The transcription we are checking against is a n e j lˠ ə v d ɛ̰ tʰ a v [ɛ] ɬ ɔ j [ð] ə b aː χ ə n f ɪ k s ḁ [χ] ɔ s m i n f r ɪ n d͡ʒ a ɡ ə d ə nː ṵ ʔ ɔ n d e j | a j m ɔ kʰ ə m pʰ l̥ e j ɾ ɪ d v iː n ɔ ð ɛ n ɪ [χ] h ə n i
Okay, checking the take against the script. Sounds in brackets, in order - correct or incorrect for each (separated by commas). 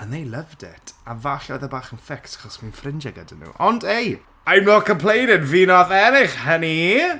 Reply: incorrect, correct, correct, correct